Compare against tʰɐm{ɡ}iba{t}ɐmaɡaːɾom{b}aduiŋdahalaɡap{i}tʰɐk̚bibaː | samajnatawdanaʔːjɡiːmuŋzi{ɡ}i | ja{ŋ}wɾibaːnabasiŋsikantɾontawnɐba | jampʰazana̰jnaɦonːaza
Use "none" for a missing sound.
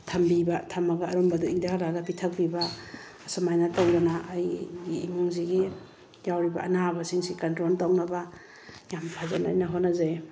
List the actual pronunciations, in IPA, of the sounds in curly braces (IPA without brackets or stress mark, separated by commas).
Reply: b, tʰ, b, i, ɡ, none